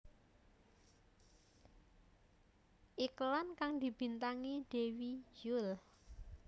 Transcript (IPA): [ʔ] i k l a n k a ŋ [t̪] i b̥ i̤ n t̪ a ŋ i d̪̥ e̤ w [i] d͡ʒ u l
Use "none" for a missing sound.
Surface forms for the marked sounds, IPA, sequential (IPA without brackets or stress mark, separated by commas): ʔ, d̪, i